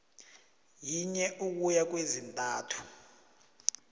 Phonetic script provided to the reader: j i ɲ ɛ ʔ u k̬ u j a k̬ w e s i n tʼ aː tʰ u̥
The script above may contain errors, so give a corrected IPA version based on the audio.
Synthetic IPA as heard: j i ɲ ɛ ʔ u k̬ u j a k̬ w e z i n tʼ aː tʰ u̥

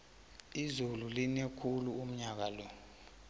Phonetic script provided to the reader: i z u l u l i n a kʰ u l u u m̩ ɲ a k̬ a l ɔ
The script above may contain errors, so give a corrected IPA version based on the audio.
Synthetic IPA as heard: i z u l u l i n e kʰ u l u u m̩ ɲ a k̬ a l ɔ

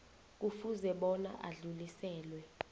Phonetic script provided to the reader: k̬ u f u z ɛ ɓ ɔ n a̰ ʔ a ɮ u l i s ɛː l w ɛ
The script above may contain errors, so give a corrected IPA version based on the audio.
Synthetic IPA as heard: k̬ u f u z ɛ ɓ ɔ n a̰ ʔ a ɮ u l i s ɛː l w ɛ

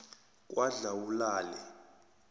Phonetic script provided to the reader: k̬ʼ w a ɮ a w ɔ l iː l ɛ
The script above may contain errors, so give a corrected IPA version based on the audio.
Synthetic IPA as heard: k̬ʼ w a ɮ a w u l aː l ɛ

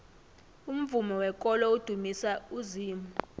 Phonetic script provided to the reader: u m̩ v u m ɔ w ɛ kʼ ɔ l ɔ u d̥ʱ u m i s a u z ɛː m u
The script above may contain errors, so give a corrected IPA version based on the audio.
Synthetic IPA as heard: u m̩ v u m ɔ w ɛ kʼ ɔ l ɔ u d̥ʱ u m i s a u z iː m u

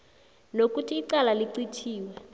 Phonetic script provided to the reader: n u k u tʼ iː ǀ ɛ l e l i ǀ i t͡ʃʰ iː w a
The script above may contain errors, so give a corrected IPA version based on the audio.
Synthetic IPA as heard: n o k u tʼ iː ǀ a l a l i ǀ i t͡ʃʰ iː w ɛ

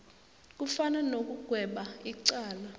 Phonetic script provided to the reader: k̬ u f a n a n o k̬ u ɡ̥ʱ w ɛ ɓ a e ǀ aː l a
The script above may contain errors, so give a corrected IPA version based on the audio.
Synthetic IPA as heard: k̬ u f a n a n o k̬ u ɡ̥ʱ w ɛ ɓ a i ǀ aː l a

